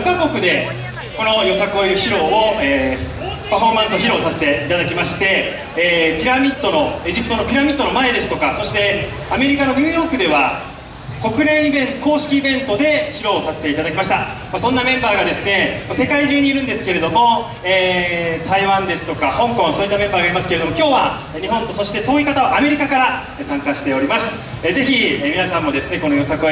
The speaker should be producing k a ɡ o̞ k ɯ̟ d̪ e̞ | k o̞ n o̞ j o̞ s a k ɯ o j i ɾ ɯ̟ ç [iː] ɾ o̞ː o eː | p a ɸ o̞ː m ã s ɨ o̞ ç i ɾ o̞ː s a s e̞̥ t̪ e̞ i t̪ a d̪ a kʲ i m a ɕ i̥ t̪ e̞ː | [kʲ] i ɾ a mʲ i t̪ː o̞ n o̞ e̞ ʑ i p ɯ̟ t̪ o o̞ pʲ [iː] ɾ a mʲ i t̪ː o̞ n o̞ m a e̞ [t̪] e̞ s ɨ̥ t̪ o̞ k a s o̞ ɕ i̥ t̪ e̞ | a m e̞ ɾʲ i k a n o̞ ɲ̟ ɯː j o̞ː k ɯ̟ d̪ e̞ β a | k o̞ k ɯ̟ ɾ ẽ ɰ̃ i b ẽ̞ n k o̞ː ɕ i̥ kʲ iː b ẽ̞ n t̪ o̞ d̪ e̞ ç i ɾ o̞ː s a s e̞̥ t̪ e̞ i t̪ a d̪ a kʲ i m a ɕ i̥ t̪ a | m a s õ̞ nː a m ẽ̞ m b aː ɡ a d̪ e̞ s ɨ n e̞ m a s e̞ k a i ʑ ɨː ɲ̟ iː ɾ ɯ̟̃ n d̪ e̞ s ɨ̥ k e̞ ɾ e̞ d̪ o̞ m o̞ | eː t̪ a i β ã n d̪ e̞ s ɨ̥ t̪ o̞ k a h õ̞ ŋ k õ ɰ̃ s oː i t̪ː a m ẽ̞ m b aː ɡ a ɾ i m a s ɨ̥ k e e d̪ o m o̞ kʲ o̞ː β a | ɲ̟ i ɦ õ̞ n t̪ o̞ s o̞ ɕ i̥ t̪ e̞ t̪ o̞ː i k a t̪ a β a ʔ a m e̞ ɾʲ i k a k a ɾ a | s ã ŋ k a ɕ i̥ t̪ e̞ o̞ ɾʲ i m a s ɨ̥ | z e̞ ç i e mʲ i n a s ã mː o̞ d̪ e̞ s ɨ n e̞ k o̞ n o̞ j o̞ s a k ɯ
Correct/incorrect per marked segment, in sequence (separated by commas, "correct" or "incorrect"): incorrect, incorrect, incorrect, incorrect